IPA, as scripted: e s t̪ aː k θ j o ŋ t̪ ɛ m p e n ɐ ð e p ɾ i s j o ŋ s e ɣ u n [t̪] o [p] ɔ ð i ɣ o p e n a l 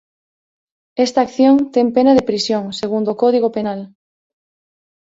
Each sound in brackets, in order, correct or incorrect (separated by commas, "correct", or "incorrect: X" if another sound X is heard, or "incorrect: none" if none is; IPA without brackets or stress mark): incorrect: d̪, incorrect: k